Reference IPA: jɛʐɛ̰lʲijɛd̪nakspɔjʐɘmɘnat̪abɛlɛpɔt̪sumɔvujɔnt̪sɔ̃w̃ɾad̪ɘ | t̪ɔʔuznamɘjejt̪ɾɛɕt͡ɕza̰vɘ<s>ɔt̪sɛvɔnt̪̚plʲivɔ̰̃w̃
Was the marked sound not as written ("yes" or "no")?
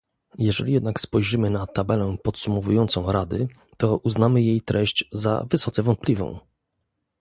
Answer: no